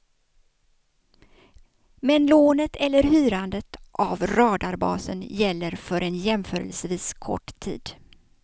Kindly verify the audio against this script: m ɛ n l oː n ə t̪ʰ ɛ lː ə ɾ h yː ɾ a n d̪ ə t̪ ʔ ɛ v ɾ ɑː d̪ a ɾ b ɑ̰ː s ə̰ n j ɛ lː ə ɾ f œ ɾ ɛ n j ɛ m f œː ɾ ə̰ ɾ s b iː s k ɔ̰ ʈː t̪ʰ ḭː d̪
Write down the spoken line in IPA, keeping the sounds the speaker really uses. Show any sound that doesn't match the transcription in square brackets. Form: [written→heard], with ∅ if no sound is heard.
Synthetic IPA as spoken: m ɛ n l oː n ə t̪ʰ ɛ lː ə ɾ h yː ɾ a n d̪ ə t̪ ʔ [ɛ→a] v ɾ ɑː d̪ a ɾ b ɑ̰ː s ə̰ n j ɛ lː ə ɾ f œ ɾ ɛ n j ɛ m f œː ɾ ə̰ [ɾ→l] s [b→v] iː s [k→kʰ] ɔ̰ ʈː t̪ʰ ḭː d̪